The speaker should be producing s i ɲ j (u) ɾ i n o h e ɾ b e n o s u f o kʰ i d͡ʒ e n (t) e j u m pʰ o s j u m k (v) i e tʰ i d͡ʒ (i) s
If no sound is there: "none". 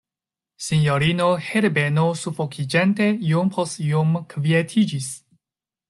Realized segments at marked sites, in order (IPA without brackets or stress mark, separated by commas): o, t, v, i